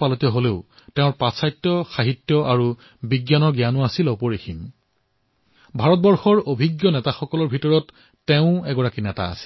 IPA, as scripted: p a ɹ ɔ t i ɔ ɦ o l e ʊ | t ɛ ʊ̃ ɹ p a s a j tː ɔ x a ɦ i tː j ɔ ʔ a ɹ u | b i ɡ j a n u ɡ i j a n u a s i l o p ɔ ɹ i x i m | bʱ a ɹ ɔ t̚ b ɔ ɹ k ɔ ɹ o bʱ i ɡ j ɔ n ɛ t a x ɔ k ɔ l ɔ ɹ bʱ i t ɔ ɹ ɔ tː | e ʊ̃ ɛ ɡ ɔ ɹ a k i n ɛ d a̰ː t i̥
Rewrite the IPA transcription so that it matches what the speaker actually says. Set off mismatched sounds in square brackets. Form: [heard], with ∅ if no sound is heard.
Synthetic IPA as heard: p a [l] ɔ t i ɔ ɦ o l e ʊ | t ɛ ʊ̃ ɹ p a s a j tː ɔ x a ɦ i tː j ɔ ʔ a ɹ u | b i ɡ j a n [ɔ] ɡ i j a n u a s i l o p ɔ ɹ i x i m | bʱ a ɹ ɔ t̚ b ɔ ɹ [x] ɔ ɹ o bʱ i ɡ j ɔ n ɛ t a x ɔ k ɔ l ɔ ɹ bʱ i t ɔ ɹ ɔ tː | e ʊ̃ ɛ ɡ ɔ ɹ a k i n ɛ [t] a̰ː [s] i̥